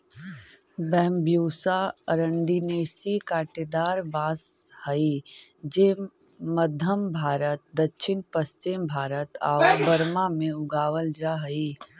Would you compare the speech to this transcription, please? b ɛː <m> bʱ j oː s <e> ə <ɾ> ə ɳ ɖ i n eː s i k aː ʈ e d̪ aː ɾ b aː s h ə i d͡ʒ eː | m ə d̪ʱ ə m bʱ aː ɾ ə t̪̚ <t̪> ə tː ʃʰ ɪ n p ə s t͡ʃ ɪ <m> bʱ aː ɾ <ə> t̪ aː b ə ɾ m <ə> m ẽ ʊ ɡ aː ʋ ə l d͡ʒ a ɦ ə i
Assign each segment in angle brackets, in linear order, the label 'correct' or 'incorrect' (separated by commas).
correct, incorrect, correct, incorrect, correct, correct, incorrect